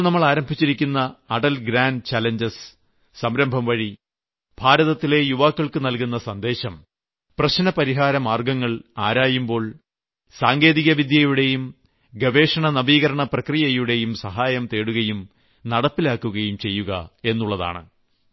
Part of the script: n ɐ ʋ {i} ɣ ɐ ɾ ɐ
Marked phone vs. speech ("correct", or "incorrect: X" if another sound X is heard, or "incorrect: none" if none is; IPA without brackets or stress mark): incorrect: iː